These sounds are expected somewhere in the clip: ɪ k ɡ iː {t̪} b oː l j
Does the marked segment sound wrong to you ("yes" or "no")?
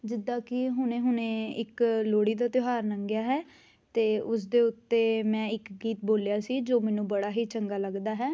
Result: no